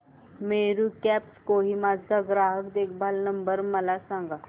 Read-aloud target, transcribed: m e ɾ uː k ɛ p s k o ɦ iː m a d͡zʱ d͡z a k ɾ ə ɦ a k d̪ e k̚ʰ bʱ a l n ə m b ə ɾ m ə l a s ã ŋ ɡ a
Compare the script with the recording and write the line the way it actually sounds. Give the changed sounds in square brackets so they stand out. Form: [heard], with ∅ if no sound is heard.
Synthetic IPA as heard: m e ɾ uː k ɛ p s k o ɦ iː m a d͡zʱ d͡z a [ɡ] ɾ [a] ɦ [ə] k d̪ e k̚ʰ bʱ a l n ə m b ə ɾ m ə l a s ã ŋ ɡ a